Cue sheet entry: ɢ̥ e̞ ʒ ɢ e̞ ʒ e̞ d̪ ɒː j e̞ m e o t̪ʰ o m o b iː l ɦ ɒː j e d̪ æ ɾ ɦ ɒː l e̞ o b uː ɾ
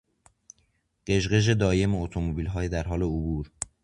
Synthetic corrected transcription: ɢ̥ e̞ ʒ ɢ e̞ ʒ e̞ d̪ ɒː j e̞ m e o t̪ʰ o m o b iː l ɦ ɒː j e d̪ æ ɾ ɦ ɒː l e̞ o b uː ɾ